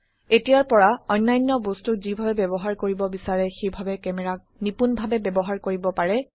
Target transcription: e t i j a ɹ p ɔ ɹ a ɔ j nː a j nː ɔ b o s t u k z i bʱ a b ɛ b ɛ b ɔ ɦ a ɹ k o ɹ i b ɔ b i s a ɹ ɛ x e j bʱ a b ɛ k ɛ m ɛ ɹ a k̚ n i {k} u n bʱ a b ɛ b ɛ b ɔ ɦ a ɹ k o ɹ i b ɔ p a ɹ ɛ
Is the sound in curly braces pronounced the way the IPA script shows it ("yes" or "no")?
no